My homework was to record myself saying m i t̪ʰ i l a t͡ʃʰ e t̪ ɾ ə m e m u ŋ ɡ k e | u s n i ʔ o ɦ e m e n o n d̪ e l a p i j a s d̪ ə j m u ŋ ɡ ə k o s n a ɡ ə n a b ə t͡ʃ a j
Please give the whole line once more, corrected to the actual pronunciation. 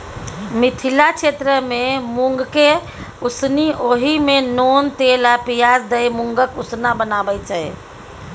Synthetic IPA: m i t̪ʰ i l a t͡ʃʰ e t̪ ɾ ə m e m u ŋ ɡ k e | u s n i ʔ o ɦ i m e n o n t̪ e l a p i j a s d̪ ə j m u ŋ ɡ ə k u s n a b ə n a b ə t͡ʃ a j